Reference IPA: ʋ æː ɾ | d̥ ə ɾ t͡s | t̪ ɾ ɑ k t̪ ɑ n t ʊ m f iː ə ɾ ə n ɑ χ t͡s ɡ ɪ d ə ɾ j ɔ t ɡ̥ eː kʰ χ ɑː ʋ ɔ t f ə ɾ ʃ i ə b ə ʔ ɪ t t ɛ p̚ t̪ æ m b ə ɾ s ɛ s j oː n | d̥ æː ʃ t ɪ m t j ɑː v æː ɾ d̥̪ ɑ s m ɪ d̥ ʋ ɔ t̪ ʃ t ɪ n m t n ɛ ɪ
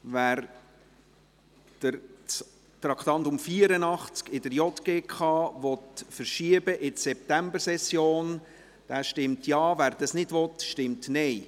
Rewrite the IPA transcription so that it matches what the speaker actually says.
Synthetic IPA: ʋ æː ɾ | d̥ ə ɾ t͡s | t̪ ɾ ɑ k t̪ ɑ n t ʊ m f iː ə ɾ ə n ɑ χ t͡s k ɪ d ə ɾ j ɔ t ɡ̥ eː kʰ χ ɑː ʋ ɔ t f ə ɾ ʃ i ə b ə ʔ ɪ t s ɛ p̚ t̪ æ m b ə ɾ s ɛ s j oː n | d̥ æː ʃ t ɪ m t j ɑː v æː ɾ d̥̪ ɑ s n ɪ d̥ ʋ ɔ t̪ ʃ t ɪ m t n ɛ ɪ